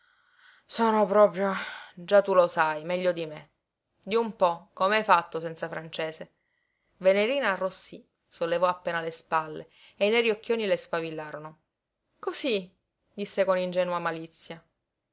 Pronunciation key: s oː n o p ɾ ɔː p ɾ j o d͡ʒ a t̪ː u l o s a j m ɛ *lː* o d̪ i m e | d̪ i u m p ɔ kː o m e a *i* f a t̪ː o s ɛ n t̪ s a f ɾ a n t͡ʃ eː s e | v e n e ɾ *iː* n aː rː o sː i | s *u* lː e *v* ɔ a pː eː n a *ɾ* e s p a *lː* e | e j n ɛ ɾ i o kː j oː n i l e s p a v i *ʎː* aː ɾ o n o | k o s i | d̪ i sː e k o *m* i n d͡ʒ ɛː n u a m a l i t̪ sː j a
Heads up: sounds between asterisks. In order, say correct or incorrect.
incorrect, incorrect, correct, incorrect, correct, incorrect, correct, incorrect, incorrect

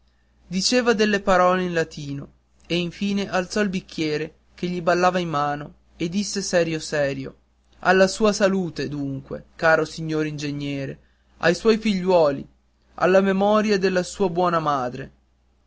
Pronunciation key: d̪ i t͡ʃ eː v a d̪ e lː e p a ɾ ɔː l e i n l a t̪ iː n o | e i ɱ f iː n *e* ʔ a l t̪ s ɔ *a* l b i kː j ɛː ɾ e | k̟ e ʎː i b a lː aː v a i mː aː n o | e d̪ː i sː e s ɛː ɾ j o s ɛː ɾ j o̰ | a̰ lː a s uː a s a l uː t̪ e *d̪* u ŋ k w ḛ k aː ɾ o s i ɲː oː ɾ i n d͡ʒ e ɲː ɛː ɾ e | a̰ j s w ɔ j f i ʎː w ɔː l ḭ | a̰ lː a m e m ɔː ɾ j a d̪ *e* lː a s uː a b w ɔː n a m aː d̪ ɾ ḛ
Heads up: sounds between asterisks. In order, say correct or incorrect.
correct, incorrect, correct, correct

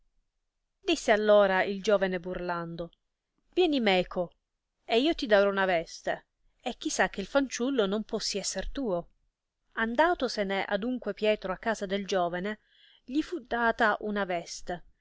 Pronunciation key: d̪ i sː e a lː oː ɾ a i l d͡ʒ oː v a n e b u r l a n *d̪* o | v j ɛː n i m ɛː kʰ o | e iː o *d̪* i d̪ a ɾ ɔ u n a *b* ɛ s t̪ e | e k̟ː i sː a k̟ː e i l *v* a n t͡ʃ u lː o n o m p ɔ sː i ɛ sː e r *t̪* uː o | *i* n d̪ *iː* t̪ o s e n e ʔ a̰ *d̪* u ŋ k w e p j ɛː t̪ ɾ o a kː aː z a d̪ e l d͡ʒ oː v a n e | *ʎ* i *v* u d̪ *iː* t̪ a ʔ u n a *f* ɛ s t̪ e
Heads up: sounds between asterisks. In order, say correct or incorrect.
correct, incorrect, incorrect, incorrect, correct, incorrect, incorrect, correct, correct, incorrect, incorrect, incorrect

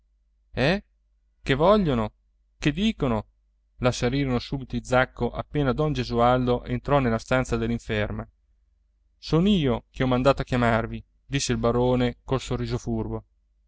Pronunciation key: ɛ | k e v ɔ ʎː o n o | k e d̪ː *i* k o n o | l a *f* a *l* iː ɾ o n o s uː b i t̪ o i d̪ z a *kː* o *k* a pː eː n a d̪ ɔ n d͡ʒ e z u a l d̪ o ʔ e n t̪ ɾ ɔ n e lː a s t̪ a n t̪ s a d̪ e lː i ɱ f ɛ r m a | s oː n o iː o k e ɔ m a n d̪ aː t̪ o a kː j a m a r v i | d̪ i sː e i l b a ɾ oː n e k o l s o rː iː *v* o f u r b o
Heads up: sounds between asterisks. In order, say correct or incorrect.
incorrect, incorrect, incorrect, correct, incorrect, incorrect

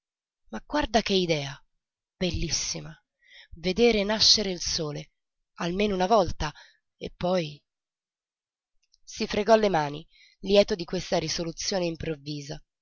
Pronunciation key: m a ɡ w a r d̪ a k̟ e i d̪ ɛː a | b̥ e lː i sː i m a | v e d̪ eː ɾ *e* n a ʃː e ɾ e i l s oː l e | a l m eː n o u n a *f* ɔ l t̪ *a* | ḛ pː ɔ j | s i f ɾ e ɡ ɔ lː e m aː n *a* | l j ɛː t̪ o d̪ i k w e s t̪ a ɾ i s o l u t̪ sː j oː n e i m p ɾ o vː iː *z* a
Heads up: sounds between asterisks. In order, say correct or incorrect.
correct, incorrect, correct, incorrect, correct

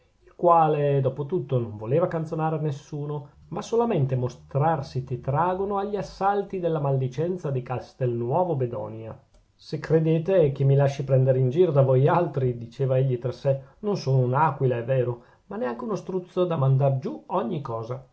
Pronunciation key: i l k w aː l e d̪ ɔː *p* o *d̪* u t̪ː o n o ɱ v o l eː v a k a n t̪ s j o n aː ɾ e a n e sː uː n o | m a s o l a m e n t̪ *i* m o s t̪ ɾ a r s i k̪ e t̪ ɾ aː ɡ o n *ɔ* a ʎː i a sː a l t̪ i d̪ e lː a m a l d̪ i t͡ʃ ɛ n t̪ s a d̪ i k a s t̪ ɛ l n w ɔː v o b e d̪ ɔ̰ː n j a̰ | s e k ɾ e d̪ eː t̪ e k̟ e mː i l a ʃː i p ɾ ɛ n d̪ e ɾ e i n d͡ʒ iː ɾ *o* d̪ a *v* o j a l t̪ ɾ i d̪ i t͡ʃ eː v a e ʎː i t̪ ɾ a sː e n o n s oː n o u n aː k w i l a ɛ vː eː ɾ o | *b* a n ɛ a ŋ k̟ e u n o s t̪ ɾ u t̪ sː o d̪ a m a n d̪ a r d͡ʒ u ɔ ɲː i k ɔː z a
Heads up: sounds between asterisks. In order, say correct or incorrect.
correct, incorrect, incorrect, incorrect, correct, correct, incorrect

